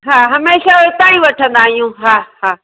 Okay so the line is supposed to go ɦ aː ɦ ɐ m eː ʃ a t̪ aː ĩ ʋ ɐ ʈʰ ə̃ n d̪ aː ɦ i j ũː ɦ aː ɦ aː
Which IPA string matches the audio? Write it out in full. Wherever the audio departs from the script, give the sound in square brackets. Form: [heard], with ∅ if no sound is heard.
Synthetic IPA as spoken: ɦ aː ɦ ɐ m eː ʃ a t̪ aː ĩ ʋ ɐ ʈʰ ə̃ n d̪ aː ɦ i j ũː ɦ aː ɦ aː

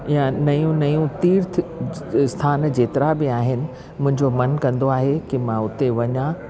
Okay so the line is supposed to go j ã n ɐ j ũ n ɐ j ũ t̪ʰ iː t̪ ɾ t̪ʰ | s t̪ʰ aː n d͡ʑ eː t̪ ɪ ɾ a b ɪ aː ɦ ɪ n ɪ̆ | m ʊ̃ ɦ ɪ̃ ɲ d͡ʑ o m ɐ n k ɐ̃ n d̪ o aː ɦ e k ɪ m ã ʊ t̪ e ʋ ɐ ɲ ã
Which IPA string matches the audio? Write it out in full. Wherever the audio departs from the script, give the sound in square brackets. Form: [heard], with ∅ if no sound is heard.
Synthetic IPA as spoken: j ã n ɐ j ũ n ɐ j ũ [t̪] iː [∅] ɾ t̪ʰ | s t̪ʰ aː n d͡ʑ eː t̪ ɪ ɾ a b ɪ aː ɦ ɪ n ɪ̆ | m ʊ̃ ɦ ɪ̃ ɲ d͡ʑ o m ɐ n k ɐ̃ n d̪ o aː ɦ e k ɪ m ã ʊ t̪ e ʋ ɐ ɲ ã

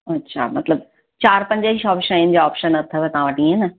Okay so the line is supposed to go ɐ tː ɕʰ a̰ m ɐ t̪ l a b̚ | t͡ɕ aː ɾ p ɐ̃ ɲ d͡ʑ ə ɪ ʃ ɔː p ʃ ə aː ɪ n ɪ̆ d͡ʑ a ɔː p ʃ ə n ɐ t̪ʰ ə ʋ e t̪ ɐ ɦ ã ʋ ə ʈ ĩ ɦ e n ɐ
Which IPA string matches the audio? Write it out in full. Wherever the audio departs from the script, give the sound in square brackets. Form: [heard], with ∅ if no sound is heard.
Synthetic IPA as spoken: ɐ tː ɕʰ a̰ m ɐ t̪ l [ə] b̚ | t͡ɕ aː ɾ p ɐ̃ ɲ d͡ʑ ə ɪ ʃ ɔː p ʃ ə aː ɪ n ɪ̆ d͡ʑ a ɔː p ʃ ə n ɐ t̪ʰ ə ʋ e t̪ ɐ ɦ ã ʋ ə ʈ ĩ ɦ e n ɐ

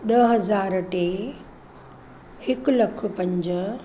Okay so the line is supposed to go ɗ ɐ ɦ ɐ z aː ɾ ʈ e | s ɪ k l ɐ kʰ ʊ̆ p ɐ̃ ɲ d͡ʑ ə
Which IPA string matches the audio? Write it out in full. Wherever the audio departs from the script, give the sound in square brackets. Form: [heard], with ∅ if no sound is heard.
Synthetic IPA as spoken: ɗ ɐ ɦ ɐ z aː ɾ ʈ e | [h] ɪ k l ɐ kʰ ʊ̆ p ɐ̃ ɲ d͡ʑ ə

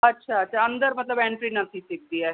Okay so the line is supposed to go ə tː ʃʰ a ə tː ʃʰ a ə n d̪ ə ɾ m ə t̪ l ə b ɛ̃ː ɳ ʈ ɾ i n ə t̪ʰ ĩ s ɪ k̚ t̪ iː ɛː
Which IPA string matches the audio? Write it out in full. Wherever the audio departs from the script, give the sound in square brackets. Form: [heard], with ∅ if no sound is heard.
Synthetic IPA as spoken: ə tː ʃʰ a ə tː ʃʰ a ə n d̪ ə ɾ m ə t̪ l ə b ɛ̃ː ɳ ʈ ɾ i n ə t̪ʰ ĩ s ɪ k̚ [d̪] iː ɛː

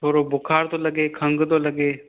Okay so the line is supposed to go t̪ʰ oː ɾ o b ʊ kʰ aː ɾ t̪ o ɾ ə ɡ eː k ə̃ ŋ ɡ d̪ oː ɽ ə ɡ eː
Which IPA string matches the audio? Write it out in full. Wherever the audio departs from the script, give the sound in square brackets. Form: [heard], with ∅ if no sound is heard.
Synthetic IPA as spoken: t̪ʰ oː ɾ o b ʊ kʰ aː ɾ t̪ o [l] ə ɡ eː [kʰ] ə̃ ŋ ɡ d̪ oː [l] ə ɡ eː

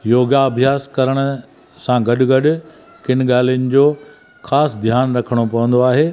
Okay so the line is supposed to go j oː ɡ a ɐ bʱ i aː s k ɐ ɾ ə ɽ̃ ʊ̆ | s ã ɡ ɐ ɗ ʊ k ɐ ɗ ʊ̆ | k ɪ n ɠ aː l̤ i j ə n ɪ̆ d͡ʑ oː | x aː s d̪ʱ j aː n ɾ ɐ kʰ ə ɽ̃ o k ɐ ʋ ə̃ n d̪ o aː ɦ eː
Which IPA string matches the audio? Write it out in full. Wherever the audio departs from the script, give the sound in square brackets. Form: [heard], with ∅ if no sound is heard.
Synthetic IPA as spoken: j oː ɡ a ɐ bʱ [j] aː s k ɐ ɾ ə ɽ̃ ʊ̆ | s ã ɡ ɐ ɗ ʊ [ɡ] ɐ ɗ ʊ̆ | k ɪ n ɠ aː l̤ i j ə n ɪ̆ d͡ʑ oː | x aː s d̪ʱ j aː n ɾ ɐ kʰ ə ɽ̃ o [p] ɐ ʋ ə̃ n d̪ o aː ɦ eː

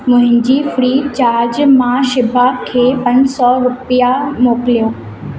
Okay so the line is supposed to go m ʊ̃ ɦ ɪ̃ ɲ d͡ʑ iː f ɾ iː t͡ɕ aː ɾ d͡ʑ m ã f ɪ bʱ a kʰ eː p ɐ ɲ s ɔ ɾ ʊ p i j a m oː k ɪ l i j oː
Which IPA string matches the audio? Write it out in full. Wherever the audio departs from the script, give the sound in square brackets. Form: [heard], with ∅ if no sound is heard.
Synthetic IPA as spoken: m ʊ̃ ɦ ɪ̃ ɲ d͡ʑ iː f ɾ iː t͡ɕ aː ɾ d͡ʑ m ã [ʃ] ɪ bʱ a kʰ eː p ɐ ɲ s ɔ ɾ ʊ p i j a m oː k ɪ l i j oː

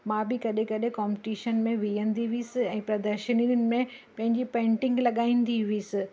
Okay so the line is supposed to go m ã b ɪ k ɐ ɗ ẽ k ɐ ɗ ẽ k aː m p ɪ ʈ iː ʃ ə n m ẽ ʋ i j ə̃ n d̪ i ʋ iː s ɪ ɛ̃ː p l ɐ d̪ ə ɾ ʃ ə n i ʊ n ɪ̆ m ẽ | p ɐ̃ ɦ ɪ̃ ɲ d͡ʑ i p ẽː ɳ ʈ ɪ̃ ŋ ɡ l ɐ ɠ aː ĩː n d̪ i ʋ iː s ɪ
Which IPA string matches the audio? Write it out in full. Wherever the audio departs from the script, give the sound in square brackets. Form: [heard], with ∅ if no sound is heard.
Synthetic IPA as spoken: m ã b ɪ k ɐ ɗ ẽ k ɐ ɗ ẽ k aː m p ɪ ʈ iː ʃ ə n m ẽ ʋ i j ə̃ n d̪ i ʋ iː s ɪ ɛ̃ː p [ɾ] ɐ d̪ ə ɾ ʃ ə n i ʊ n ɪ̆ m ẽ | p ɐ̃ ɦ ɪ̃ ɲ d͡ʑ i p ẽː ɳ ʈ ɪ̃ ŋ ɡ l ɐ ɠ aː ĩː n d̪ i ʋ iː s ɪ

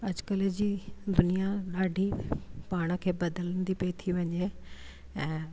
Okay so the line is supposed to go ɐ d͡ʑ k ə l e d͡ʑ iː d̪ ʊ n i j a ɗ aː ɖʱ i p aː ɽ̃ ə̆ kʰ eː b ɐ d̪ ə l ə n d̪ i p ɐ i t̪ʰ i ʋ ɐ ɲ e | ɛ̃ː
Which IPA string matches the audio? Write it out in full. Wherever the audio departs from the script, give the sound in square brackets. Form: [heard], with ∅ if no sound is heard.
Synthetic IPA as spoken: ɐ d͡ʑ k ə l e d͡ʑ iː d̪ ʊ n i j a ɗ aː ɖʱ i p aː ɽ̃ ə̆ kʰ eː b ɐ d̪ ə l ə n d̪ i p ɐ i t̪ʰ i ʋ ɐ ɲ e | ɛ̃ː

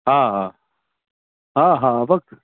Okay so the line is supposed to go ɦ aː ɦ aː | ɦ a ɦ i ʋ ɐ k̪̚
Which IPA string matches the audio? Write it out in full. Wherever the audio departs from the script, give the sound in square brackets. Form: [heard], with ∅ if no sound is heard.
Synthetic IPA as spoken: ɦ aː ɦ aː | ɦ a ɦ [a] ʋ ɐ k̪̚

